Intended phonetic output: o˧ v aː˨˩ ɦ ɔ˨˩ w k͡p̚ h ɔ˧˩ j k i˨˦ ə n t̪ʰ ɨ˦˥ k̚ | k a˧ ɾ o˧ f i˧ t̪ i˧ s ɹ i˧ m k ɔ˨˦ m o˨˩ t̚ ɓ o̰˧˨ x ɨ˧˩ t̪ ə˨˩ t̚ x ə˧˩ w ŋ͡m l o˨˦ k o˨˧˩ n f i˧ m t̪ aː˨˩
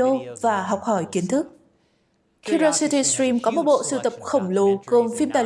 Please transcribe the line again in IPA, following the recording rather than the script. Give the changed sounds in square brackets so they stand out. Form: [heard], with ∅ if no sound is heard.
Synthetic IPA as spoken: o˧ v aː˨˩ ɦ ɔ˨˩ w k͡p̚ h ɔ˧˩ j k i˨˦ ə n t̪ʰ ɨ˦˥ k̚ | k [i˧] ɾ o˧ [s] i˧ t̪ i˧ s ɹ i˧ m k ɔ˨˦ m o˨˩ t̚ ɓ o̰˧˨ [s] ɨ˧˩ t̪ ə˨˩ [p̚] x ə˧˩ w ŋ͡m l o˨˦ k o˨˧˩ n f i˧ m t̪ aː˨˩